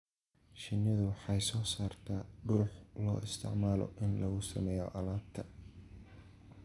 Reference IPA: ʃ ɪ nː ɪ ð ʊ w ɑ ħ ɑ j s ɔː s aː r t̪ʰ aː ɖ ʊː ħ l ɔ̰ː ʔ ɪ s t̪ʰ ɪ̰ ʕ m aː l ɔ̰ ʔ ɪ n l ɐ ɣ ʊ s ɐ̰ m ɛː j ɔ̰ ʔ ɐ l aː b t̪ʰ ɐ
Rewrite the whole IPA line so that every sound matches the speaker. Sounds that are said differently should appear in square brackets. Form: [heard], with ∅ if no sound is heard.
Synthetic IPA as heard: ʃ ɪ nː ɪ ð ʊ w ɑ ħ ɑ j s ɔː s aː r t̪ʰ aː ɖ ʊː ħ l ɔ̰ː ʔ ɪ s t̪ʰ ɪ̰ ʕ m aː l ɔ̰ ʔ ɪ n l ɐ ɣ ʊ s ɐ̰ m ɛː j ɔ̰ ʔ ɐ l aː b t̪ʰ ɐ